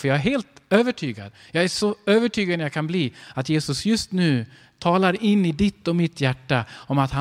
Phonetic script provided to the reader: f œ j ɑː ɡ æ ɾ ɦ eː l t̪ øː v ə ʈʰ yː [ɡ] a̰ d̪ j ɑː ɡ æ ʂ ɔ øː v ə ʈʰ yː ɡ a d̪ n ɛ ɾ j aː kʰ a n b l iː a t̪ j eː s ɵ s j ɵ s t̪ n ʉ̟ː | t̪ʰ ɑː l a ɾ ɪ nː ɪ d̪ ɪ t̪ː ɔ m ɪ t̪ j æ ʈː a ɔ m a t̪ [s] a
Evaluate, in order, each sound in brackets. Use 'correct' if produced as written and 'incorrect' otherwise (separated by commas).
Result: correct, incorrect